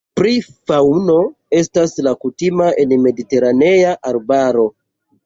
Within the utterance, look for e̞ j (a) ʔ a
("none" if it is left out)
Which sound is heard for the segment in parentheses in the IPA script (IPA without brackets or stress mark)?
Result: a